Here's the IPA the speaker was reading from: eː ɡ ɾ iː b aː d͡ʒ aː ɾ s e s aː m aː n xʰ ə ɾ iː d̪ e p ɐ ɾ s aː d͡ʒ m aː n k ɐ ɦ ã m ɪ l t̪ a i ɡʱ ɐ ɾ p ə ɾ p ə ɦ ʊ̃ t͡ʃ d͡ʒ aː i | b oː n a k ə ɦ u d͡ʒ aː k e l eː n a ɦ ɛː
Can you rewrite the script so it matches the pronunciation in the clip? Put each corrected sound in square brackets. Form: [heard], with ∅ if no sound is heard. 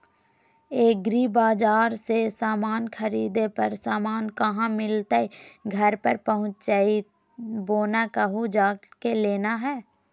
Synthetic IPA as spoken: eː ɡ ɾ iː b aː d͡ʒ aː ɾ s e s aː m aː n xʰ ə ɾ iː d̪ e p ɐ ɾ s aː [∅] m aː n k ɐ ɦ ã m ɪ l t̪ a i ɡʱ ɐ ɾ p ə ɾ p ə ɦ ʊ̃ t͡ʃ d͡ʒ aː i | b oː n a k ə ɦ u d͡ʒ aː k e l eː n a ɦ ɛː

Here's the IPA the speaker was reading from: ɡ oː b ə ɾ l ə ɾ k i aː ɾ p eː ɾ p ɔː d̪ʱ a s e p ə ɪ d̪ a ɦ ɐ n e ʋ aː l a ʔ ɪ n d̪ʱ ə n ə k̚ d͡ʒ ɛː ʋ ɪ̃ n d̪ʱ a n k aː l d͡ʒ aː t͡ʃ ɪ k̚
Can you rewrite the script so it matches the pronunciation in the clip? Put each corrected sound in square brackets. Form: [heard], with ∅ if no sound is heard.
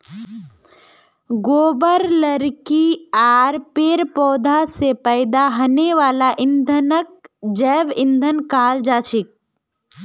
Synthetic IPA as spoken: ɡ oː b ə ɾ l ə ɾ k i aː ɾ p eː ɾ p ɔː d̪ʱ a s e p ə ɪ d̪ a ɦ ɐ n e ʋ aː l a ʔ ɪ n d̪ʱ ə n ə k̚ d͡ʒ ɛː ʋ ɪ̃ n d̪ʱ [ə] n k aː l d͡ʒ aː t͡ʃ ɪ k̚

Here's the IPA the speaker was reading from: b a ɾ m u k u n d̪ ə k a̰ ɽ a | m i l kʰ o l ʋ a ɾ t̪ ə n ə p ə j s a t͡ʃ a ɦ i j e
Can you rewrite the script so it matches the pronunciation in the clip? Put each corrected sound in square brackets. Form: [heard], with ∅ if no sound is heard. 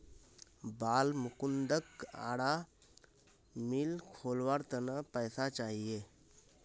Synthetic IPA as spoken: b a [l] m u k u n d̪ ə k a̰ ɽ a | m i l kʰ o l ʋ a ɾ t̪ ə n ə p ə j s a t͡ʃ a ɦ i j e

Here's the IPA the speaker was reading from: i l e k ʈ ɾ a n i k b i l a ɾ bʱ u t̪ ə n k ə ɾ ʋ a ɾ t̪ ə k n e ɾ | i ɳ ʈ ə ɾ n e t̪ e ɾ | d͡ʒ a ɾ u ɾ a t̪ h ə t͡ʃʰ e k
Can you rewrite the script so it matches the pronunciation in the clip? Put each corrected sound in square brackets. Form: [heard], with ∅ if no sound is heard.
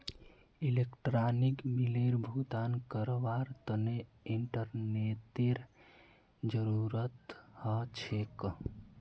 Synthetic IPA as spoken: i l e k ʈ ɾ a n i k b i l [e] ɾ bʱ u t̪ [a] n k ə ɾ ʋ a ɾ t̪ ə [∅] n e [∅] | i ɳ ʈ ə ɾ n e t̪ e ɾ | d͡ʒ [ə] ɾ u ɾ [ə] t̪ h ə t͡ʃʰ e k

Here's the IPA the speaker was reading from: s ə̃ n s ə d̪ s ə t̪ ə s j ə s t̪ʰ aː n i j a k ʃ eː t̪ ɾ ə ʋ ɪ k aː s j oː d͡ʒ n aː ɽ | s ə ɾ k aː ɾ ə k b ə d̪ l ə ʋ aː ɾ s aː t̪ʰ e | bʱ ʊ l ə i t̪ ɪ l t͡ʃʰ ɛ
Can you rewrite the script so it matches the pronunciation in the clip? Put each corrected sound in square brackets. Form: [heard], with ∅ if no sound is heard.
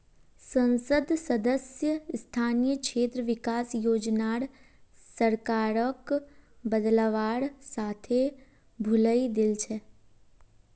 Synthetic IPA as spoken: s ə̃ n s ə d̪ s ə [d̪] ə s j ə s t̪ʰ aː n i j [ə] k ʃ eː t̪ ɾ ə ʋ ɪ k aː s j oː d͡ʒ n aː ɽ | s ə ɾ k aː ɾ ə k b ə d̪ l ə ʋ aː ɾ s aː t̪ʰ e | bʱ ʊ l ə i [d̪] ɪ l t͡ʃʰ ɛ

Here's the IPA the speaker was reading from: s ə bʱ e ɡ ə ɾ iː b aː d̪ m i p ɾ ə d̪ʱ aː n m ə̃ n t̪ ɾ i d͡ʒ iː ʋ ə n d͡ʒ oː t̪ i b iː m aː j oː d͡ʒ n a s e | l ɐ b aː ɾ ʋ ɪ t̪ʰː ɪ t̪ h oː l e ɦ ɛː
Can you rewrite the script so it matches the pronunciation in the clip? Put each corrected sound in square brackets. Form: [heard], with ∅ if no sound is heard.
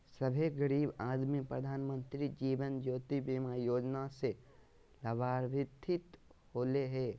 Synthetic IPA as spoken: s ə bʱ e ɡ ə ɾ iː b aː d̪ m i p ɾ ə d̪ʱ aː n m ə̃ n t̪ ɾ i d͡ʒ iː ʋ ə n d͡ʒ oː t̪ i b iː m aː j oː d͡ʒ n a s e | l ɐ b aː ɾ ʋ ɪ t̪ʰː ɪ t̪ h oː l e ɦ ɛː

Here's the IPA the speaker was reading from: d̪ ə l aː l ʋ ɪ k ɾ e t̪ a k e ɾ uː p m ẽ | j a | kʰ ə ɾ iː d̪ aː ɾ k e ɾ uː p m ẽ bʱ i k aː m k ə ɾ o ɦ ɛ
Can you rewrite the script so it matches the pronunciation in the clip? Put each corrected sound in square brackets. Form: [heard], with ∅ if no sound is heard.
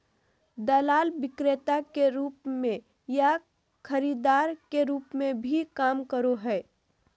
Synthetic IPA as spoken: d̪ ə l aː l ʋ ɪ k ɾ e t̪ a k e ɾ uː p m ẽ | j a | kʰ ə ɾ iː d̪ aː ɾ k e ɾ uː p m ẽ bʱ i k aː m k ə ɾ o ɦ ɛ

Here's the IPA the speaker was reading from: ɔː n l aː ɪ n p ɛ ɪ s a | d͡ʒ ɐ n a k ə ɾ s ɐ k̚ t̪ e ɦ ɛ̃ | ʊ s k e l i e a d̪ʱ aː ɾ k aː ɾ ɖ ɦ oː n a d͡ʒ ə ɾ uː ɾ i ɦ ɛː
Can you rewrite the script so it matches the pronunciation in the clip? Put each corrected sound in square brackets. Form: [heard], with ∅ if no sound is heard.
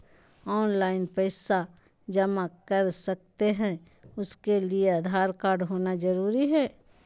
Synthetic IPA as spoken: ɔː n l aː ɪ n p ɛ ɪ s a | d͡ʒ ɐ [m] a k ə ɾ s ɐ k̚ t̪ e ɦ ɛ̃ | ʊ s k e l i e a d̪ʱ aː ɾ k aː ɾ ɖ ɦ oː n a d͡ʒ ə ɾ uː ɾ i ɦ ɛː

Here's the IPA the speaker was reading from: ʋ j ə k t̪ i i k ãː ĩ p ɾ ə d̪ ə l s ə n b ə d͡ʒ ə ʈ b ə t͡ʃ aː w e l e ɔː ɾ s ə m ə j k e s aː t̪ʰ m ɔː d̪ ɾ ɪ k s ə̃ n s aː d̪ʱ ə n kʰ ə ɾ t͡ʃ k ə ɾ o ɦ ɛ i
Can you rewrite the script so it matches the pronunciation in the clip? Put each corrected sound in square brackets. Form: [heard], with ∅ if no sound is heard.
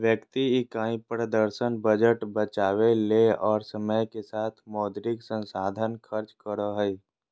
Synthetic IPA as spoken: ʋ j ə k t̪ i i k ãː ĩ p ɾ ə d̪ ə [ɾ] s ə n b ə d͡ʒ ə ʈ b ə t͡ʃ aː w e l e ɔː ɾ s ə m ə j k e s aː t̪ʰ m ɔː d̪ ɾ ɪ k s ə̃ n s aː d̪ʱ ə n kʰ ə ɾ t͡ʃ k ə ɾ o ɦ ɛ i

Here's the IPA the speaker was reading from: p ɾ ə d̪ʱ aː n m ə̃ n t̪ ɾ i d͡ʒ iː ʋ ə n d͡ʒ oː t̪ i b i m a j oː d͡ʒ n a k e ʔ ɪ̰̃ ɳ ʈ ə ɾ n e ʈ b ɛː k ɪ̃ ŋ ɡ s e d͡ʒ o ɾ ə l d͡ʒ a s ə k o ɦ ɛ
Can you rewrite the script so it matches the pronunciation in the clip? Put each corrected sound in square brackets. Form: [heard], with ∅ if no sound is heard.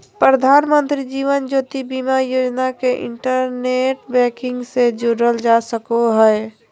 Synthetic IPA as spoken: p ɾ ə d̪ʱ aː n m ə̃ n t̪ ɾ i d͡ʒ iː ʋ ə n d͡ʒ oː t̪ i b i m a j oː d͡ʒ n a k e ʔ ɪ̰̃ ɳ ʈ ə ɾ n e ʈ b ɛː k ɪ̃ ŋ ɡ s e d͡ʒ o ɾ ə l d͡ʒ a s ə k o ɦ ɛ

